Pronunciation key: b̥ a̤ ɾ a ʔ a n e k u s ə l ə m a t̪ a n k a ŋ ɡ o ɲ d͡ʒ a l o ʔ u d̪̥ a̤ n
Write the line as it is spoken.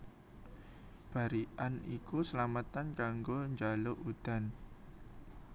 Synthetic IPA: b̥ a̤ ɾ i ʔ a n i k u s ə l a m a t̪ a n k a ŋ ɡ o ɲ d͡ʒ a l o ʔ u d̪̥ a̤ n